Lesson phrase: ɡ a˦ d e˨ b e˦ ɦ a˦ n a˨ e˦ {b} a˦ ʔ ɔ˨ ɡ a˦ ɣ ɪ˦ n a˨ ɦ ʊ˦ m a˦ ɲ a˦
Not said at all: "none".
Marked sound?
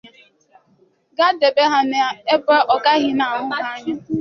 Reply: b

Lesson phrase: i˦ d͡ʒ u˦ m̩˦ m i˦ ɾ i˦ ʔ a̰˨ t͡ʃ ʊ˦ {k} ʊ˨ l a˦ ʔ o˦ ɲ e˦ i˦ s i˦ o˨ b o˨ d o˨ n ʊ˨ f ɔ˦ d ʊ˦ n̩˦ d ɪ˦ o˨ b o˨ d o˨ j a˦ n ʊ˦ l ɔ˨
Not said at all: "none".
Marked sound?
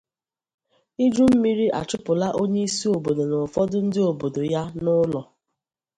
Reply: p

